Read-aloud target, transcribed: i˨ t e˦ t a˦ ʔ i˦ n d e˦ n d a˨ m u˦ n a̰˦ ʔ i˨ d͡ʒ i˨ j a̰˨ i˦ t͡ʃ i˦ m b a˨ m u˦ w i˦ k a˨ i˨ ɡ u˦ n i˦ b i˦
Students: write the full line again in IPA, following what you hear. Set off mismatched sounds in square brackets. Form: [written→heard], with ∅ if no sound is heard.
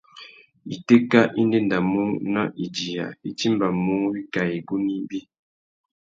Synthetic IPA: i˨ t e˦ [t→k] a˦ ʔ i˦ n d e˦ n d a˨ m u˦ n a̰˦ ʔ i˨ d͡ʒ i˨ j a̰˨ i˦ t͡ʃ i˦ m b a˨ m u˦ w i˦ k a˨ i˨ ɡ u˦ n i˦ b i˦